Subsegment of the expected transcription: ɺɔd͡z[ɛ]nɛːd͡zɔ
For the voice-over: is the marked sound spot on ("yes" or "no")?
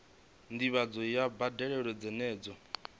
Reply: yes